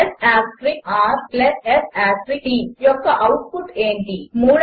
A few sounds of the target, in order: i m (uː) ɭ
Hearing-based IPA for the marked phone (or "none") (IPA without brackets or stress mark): uː